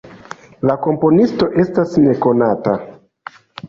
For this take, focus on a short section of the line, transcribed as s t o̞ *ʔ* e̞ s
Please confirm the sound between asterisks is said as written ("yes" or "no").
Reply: yes